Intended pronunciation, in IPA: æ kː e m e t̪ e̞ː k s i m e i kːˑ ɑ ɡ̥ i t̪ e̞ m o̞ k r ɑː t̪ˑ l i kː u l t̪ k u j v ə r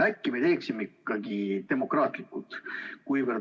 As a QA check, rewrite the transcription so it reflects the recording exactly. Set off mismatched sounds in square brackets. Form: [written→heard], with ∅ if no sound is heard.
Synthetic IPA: æ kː [e→i] m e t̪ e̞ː k s i m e i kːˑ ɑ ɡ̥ i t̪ e̞ m o̞ k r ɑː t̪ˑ l i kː u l t̪ k u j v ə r